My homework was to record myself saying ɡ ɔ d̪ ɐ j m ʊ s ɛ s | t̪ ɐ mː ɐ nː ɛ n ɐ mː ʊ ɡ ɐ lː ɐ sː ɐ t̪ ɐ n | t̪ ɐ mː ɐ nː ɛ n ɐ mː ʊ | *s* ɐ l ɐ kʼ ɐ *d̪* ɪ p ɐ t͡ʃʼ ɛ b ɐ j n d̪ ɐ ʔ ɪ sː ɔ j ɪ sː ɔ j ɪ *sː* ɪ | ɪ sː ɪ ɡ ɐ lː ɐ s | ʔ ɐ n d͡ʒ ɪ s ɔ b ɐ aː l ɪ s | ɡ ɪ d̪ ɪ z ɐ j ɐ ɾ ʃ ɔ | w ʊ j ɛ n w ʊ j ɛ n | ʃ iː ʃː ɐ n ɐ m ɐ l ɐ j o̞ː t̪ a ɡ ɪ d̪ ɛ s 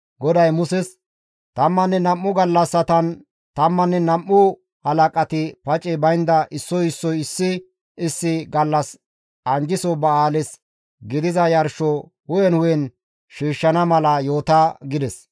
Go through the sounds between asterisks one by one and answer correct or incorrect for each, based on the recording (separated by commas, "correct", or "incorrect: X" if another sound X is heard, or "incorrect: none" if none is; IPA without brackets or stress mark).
incorrect: h, incorrect: t̪, correct